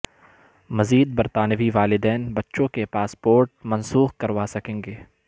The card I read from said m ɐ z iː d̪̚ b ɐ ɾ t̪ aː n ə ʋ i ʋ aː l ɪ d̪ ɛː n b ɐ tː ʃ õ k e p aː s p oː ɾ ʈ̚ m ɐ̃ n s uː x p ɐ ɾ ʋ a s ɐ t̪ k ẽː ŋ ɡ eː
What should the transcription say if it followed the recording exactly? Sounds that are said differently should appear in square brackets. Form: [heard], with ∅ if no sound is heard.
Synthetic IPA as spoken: m ɐ z iː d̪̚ b ɐ ɾ t̪ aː n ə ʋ i ʋ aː l ɪ d̪ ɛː n b ɐ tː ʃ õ k e p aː s p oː ɾ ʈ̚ m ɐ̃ n s uː x [k] ɐ ɾ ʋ a s ɐ [∅] k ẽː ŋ ɡ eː